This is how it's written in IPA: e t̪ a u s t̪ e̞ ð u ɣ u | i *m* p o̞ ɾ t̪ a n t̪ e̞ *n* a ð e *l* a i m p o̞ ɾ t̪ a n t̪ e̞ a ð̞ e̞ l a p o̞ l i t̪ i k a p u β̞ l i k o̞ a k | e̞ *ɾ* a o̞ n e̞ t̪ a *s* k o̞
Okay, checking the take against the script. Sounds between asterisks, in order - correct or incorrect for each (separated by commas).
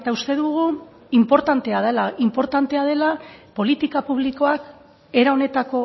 correct, incorrect, correct, correct, incorrect